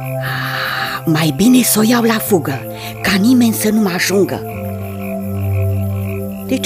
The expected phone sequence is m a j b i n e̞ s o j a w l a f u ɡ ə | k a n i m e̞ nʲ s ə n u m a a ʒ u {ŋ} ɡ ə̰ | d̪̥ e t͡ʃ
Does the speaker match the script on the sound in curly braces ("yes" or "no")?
yes